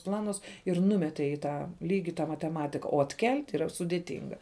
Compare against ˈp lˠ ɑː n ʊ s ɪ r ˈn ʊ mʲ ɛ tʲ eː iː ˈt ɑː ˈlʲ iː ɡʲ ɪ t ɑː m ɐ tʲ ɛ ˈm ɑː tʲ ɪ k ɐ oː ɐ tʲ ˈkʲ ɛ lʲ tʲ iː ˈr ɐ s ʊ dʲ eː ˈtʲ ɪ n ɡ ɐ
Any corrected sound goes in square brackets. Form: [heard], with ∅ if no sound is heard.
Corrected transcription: ˈp lˠ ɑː n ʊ s ɪ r ˈn ʊ mʲ ɛ tʲ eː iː ˈt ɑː ˈlʲ iː ɡʲ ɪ t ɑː m ɐ tʲ ɛ ˈm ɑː tʲ ɪ k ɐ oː ɐ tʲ ˈkʲ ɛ lʲ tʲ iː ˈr ɐ s ʊ dʲ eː ˈtʲ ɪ [ŋ] ɡ ɐ